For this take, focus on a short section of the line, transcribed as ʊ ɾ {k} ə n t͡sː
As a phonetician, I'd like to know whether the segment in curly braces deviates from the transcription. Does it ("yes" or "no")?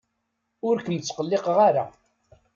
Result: no